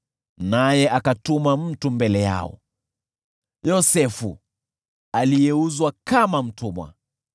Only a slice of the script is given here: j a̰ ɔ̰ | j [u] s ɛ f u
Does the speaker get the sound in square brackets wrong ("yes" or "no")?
yes